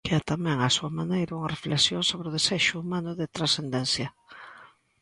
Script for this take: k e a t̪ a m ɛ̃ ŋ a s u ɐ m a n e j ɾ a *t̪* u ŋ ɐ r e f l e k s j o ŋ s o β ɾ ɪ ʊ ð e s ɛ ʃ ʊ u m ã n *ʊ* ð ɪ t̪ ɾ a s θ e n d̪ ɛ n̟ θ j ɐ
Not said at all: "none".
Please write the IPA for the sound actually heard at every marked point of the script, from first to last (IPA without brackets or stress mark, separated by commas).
none, ʊ